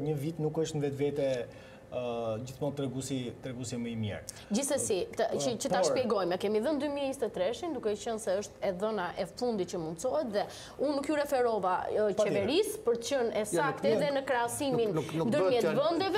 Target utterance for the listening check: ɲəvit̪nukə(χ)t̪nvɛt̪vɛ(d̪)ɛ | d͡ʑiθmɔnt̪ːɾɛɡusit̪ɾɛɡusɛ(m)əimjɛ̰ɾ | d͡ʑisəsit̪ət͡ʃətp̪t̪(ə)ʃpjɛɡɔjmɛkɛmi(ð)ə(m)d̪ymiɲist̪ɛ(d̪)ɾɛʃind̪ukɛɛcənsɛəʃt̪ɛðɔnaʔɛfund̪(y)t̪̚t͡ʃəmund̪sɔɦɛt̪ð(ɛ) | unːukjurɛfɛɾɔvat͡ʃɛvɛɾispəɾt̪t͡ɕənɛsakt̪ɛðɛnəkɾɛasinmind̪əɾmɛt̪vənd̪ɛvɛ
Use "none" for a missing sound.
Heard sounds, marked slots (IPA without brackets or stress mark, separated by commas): ʃ, t̪, m, a, ð, n, t̪, i, ɛ